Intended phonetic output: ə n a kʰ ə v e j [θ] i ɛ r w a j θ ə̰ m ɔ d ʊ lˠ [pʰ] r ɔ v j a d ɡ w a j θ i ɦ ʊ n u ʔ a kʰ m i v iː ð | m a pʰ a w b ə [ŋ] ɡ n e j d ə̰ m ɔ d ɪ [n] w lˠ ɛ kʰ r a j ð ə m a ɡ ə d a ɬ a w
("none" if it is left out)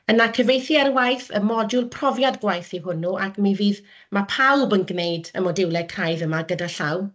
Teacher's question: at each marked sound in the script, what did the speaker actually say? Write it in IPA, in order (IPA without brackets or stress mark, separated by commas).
θ, pʰ, n, none